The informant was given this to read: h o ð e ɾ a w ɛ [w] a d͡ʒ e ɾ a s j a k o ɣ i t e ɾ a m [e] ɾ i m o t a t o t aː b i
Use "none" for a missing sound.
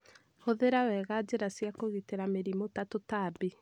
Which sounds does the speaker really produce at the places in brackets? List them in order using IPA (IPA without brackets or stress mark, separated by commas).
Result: ɣ, e